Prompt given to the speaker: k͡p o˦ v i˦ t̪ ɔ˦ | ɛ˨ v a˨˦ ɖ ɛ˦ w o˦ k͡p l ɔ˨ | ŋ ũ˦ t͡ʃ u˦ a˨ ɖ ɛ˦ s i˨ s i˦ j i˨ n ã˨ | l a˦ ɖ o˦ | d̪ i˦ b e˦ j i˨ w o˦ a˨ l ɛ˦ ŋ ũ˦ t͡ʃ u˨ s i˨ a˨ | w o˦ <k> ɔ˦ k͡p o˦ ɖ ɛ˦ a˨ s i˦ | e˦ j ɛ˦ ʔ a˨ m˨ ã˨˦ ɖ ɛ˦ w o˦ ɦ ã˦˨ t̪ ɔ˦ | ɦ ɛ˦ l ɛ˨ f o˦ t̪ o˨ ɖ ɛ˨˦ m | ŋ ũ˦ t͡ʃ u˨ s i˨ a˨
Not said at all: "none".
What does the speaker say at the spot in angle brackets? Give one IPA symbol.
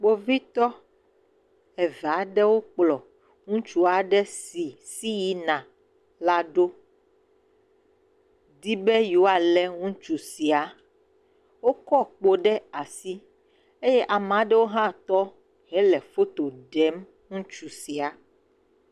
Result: k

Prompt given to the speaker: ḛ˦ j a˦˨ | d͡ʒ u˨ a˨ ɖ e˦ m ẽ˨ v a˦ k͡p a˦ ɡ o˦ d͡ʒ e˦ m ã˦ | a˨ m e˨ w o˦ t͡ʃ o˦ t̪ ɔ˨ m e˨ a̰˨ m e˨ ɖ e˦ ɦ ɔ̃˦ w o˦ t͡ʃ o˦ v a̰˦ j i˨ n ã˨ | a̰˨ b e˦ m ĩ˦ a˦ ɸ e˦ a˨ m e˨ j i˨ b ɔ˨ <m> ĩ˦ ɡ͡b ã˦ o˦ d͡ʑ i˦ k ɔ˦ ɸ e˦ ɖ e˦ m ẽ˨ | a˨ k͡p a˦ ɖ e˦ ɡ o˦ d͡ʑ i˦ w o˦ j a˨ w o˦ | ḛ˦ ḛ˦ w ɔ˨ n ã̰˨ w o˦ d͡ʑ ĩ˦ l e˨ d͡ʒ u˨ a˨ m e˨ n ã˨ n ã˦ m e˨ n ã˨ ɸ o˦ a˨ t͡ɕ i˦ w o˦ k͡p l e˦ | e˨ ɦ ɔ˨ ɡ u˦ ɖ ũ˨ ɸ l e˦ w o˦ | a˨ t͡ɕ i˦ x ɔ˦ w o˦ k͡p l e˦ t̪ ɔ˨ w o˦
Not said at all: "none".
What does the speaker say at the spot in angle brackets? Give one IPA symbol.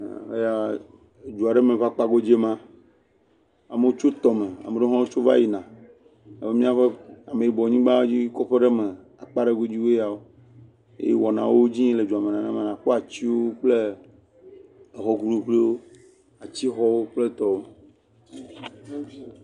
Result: ɲ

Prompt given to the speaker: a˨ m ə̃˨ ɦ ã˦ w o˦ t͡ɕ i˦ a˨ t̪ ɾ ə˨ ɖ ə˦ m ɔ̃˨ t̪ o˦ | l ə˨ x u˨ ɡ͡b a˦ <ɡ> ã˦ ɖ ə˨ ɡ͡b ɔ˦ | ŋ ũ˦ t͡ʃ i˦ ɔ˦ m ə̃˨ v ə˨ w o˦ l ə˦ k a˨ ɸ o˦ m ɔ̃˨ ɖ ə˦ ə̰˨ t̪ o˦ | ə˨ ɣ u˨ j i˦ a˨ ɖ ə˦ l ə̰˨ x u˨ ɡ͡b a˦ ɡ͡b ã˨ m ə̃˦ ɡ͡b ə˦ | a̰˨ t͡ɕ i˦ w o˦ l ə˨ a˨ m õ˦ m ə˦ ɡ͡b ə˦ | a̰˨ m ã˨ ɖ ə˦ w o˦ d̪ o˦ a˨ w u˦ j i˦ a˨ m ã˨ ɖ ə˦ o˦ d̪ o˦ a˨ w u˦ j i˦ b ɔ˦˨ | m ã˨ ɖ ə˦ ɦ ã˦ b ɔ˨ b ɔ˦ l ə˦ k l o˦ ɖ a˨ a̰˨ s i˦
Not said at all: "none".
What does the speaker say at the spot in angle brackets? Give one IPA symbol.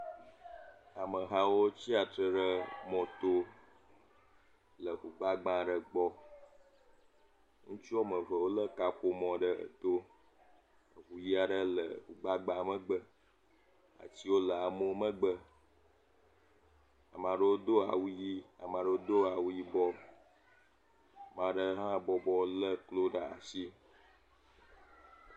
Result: ɡ͡b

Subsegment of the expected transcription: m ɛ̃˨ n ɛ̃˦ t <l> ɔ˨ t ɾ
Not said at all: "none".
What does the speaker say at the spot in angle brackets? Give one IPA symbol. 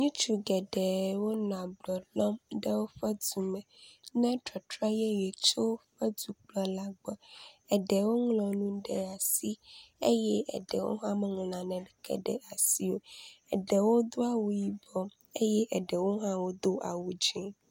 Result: ɾ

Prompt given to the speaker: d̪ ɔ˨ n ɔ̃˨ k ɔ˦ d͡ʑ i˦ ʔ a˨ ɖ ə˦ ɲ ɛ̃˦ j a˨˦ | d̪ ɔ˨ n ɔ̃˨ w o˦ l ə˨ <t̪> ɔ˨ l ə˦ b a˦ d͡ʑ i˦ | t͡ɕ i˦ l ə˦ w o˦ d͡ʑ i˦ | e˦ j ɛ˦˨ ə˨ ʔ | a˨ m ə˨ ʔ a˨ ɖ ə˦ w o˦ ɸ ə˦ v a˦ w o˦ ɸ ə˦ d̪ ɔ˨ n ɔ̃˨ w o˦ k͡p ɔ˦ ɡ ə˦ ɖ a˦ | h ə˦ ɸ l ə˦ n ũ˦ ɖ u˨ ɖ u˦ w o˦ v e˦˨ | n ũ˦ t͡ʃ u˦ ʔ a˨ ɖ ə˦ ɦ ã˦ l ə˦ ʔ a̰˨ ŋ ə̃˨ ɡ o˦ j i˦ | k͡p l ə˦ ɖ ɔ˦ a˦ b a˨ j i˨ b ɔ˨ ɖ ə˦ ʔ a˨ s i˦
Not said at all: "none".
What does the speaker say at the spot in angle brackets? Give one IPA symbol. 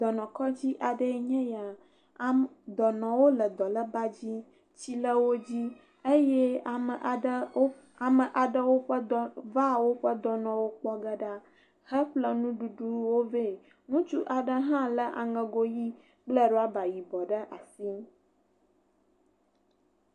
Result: d̪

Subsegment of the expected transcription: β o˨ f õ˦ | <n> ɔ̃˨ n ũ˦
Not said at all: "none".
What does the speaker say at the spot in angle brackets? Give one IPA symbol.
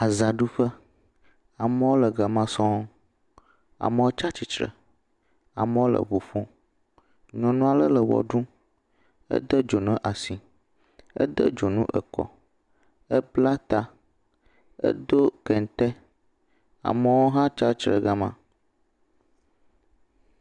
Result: ɲ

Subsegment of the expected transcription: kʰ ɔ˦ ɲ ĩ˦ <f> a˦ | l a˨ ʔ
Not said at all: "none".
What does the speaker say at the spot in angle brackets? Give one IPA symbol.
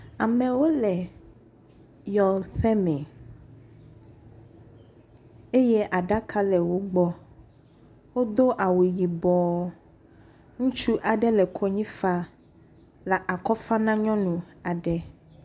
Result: f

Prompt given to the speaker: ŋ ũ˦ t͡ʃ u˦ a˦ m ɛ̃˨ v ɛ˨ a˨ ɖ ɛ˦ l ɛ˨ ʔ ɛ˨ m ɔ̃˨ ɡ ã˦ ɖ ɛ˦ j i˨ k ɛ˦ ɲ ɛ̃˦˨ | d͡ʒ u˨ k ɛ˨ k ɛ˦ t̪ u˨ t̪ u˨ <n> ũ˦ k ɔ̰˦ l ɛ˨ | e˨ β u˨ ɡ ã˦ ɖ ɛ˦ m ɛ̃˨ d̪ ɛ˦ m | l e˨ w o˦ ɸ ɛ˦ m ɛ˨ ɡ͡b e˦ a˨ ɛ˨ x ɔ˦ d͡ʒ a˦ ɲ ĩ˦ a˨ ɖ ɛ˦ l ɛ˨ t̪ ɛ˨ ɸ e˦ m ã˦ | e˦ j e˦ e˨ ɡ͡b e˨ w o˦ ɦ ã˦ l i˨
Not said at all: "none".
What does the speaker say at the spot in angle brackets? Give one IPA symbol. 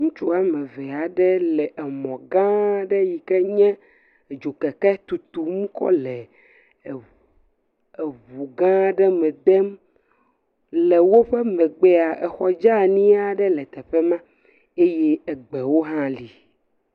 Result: m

